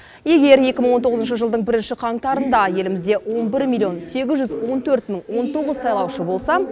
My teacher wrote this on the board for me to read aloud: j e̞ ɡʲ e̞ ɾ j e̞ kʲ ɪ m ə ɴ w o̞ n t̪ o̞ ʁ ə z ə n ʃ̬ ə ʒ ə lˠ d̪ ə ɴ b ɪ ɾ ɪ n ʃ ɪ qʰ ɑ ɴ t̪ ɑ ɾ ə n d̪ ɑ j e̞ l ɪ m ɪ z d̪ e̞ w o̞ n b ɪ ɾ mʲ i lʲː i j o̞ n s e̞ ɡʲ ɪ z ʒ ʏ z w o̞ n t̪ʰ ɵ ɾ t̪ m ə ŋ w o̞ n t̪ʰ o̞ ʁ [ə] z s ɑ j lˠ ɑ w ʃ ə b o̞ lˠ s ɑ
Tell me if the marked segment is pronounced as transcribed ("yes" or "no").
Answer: yes